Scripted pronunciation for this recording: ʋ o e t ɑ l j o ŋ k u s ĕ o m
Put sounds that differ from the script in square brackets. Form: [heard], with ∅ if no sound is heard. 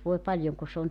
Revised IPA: ʋ o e [p] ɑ l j o ŋ k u s ĕ o [n]